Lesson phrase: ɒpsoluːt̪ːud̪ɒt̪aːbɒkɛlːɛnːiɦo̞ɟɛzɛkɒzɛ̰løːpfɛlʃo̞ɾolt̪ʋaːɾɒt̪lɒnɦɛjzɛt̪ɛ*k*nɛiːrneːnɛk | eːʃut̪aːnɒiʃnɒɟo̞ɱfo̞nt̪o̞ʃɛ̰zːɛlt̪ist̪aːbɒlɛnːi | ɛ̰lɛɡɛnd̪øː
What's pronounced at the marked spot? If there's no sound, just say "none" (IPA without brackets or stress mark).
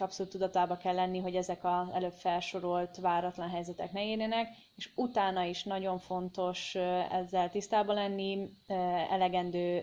k